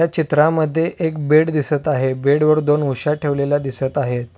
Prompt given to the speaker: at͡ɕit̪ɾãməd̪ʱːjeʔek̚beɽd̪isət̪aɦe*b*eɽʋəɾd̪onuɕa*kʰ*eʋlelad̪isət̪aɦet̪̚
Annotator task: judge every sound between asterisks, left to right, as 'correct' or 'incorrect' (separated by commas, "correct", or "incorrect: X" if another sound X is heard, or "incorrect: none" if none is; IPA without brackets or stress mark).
correct, incorrect: ʈʰ